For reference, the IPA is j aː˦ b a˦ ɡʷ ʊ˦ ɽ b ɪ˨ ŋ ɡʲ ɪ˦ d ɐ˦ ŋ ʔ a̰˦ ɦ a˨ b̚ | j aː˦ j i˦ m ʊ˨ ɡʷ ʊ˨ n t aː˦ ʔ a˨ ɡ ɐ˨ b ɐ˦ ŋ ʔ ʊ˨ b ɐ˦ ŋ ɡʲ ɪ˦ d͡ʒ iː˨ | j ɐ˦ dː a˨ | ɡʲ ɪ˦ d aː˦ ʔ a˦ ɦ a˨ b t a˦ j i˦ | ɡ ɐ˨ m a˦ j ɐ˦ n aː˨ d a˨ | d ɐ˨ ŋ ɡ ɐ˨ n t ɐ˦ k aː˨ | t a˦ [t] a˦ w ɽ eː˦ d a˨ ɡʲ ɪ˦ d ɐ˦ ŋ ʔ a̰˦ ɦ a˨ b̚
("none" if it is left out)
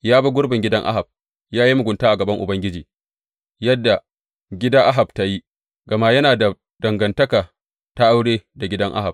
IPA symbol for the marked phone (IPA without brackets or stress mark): ʔ